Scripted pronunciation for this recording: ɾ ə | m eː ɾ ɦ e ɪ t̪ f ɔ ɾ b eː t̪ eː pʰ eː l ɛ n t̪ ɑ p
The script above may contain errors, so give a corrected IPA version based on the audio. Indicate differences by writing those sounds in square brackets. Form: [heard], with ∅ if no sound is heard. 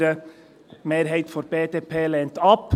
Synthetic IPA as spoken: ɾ ə | m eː ɾ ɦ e ɪ t̪ f ɔ ɾ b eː t̪ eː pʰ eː l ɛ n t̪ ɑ p